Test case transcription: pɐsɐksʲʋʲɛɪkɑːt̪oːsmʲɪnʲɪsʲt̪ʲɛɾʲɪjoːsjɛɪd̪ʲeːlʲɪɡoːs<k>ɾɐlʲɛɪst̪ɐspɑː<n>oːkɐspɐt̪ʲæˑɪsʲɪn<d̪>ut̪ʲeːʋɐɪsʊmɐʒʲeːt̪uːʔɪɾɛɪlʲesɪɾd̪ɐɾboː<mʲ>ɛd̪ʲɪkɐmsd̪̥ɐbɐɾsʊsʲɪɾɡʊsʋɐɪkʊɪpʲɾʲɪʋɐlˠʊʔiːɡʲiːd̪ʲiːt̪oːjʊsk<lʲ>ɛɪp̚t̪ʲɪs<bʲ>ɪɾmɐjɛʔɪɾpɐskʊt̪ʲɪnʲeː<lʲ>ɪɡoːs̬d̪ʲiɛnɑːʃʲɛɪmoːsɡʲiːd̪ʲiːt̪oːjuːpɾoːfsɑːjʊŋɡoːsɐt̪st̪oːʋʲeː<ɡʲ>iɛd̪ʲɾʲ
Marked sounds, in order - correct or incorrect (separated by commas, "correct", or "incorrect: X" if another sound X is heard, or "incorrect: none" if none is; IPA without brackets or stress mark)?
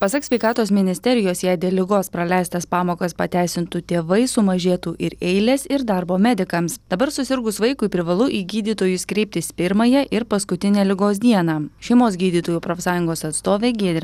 incorrect: p, incorrect: m, incorrect: t̪, correct, incorrect: ɾʲ, incorrect: pʲ, correct, correct